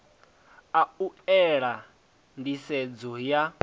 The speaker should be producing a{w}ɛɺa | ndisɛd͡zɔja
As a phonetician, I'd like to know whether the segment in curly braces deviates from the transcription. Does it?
yes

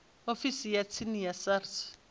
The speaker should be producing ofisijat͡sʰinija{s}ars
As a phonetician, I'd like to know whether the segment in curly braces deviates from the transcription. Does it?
no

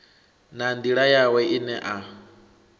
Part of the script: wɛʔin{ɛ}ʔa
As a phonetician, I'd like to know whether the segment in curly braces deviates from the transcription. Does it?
no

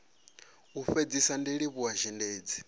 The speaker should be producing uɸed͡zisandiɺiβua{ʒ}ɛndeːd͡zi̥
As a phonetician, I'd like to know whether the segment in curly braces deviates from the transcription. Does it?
no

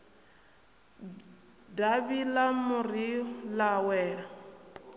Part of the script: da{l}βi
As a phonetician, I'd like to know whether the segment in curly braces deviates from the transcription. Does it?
yes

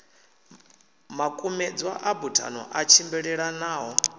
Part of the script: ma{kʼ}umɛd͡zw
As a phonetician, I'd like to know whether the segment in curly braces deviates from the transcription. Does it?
no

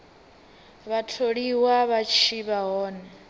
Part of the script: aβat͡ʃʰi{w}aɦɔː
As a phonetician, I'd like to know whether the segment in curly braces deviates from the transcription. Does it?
yes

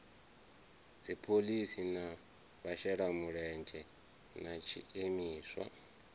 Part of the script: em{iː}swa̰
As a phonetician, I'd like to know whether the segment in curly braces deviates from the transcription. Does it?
no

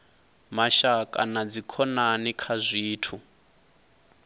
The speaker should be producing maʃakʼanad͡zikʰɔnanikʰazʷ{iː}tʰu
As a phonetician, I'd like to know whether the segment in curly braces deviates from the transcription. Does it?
no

